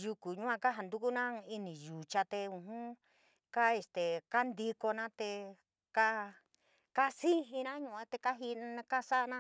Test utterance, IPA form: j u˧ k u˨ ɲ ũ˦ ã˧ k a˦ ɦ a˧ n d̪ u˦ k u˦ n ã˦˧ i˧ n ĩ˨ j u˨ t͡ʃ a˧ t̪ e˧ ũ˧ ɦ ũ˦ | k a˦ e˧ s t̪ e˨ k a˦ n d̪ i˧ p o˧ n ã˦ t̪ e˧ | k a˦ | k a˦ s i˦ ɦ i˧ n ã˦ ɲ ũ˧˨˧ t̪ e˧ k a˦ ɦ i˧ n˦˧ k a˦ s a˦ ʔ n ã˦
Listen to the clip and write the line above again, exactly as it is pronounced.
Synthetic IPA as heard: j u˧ k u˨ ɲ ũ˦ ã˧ k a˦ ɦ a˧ n d̪ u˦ k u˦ n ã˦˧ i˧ n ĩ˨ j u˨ t͡ʃ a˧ t̪ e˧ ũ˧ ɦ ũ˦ | k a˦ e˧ s t̪ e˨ k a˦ n d̪ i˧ k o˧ n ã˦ t̪ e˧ | k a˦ | k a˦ s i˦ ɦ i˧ n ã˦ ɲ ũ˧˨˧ t̪ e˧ k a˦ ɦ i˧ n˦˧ k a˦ s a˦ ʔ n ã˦